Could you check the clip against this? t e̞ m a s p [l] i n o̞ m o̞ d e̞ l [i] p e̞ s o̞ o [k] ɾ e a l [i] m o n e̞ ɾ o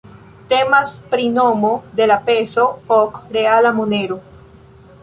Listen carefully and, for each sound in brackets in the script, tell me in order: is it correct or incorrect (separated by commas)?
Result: incorrect, incorrect, correct, incorrect